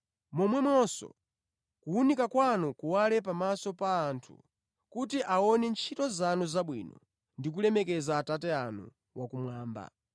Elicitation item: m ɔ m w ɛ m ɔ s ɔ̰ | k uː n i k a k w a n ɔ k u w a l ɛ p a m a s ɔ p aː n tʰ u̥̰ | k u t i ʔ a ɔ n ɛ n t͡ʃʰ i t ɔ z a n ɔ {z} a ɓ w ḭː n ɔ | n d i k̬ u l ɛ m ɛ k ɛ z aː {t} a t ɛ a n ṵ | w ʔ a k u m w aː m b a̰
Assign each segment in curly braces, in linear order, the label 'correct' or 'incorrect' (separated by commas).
correct, correct